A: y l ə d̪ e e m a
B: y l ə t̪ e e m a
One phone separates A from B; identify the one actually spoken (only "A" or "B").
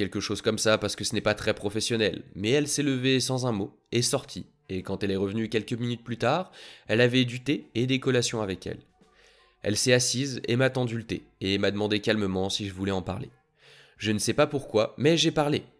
B